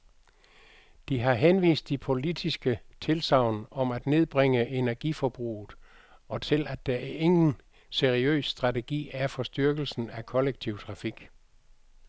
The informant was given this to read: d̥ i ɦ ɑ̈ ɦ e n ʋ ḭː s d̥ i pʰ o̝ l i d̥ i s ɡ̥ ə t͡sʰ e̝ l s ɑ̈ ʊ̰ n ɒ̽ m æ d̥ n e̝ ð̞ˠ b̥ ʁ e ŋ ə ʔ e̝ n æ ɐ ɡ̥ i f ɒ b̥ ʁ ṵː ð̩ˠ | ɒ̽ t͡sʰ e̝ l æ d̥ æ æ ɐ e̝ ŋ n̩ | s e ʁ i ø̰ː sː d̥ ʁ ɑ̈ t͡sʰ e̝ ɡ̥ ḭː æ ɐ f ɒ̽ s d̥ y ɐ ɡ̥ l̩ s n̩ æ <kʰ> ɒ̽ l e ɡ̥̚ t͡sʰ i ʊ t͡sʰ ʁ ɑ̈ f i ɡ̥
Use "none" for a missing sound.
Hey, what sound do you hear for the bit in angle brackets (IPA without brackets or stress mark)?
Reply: kʰ